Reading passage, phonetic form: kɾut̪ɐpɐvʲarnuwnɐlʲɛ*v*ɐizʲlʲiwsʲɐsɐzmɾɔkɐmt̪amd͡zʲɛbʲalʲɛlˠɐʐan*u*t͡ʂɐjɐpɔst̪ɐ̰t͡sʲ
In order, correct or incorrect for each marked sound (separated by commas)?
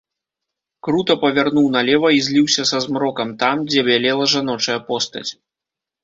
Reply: correct, incorrect